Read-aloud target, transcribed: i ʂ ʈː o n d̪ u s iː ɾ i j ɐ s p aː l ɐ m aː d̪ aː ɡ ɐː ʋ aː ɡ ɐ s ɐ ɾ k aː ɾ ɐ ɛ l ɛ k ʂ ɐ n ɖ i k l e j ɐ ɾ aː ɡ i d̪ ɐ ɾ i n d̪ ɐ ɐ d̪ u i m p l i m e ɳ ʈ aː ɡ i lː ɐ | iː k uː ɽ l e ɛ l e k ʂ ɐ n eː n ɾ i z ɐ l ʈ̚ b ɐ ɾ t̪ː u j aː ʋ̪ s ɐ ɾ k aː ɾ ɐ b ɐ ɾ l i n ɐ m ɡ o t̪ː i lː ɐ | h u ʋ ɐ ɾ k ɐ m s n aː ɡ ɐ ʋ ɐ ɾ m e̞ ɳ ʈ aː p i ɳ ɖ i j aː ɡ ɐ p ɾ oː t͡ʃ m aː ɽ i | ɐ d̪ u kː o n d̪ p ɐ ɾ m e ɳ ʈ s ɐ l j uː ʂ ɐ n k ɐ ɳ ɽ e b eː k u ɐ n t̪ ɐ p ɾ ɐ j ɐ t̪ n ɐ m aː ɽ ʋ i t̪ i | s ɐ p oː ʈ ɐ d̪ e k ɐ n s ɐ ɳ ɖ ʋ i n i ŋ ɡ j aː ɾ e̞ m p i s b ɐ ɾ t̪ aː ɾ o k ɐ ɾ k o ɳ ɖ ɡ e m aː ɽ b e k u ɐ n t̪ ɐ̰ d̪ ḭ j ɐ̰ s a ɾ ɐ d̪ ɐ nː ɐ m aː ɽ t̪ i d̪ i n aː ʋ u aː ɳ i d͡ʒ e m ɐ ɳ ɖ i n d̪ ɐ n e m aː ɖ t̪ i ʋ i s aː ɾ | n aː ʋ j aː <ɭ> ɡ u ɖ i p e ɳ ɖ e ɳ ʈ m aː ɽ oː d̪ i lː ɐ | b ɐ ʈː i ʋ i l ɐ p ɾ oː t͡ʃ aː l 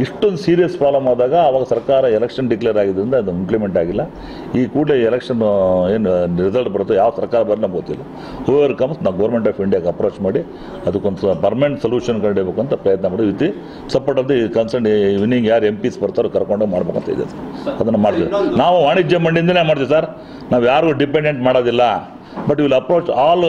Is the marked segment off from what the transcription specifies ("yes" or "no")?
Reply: yes